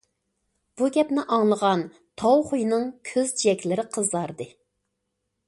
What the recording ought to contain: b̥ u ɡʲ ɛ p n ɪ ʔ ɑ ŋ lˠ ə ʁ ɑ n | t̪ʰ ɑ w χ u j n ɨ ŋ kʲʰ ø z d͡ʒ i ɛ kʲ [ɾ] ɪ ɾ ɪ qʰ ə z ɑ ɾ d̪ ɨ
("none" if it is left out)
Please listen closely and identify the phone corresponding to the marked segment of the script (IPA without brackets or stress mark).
l